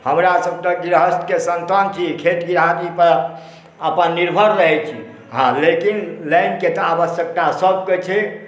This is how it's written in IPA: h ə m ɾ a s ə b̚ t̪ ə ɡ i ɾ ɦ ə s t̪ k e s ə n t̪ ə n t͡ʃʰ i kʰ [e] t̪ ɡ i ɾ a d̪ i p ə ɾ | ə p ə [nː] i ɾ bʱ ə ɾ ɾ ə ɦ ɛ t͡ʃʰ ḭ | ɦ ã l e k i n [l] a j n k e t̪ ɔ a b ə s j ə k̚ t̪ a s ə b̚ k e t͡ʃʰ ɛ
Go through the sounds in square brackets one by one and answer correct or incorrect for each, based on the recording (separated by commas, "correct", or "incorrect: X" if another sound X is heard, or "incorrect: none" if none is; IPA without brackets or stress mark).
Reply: correct, correct, correct